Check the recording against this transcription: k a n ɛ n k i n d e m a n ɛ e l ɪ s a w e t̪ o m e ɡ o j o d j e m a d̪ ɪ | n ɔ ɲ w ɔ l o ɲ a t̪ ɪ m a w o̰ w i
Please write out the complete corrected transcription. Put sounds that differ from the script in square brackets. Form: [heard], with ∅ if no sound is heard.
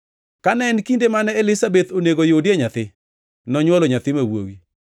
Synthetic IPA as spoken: k a n ɛ n k i n d e m a n ɛ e l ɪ s a [b] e t̪ o [n] e ɡ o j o d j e [ɲ] a [t̪] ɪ | n ɔ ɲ w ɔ l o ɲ a t̪ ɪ m a w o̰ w i